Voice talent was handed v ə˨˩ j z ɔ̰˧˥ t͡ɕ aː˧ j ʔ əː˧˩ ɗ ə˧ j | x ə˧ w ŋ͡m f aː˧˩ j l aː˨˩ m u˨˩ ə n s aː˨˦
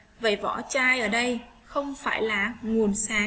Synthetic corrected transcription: v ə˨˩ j v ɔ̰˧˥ t͡ɕ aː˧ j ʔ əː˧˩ ɗ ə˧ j | x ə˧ w ŋ͡m f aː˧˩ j l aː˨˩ ŋ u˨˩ ə n s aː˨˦